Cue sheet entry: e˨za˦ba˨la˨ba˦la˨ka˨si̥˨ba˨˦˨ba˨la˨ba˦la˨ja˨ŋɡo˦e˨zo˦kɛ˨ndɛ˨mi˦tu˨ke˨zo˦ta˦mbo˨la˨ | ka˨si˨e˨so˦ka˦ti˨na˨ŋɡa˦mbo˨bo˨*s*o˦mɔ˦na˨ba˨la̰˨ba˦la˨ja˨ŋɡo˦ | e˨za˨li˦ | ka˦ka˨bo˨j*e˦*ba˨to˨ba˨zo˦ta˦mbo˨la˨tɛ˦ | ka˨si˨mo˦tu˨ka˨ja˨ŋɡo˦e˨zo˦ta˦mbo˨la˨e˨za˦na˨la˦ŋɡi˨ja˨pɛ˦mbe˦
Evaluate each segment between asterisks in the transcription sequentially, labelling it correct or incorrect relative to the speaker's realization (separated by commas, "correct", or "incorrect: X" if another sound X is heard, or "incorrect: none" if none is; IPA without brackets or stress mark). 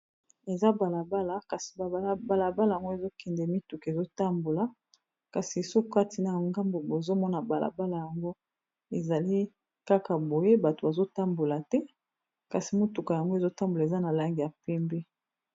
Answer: incorrect: z, correct